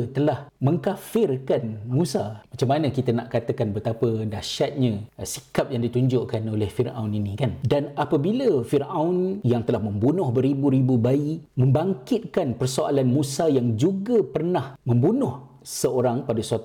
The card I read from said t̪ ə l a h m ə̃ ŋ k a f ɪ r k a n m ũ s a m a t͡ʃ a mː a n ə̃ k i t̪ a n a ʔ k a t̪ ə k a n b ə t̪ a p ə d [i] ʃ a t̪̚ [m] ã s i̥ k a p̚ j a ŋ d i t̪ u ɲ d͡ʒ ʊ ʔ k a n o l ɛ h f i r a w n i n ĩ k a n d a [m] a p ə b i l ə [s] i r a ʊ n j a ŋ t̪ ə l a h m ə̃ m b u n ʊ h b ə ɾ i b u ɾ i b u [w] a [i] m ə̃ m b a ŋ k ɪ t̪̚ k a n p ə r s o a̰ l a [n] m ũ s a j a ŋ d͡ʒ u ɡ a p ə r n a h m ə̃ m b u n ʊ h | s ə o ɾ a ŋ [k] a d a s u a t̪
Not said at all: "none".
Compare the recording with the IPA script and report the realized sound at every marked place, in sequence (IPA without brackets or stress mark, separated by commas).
a, ɲ, n, f, b, i, n, p